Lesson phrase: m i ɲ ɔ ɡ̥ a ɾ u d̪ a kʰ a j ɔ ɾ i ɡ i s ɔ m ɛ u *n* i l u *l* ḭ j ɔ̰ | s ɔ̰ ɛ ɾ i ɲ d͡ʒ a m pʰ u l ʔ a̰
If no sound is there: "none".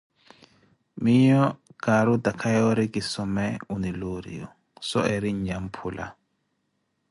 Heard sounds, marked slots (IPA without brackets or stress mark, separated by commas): n, ɾ